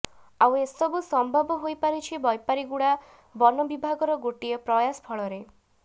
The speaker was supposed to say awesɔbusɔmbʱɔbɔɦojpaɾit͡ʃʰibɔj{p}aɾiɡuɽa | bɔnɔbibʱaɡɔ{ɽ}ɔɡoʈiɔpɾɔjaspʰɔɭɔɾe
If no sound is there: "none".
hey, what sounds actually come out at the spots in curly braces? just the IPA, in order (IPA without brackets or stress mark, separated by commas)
p, ɾ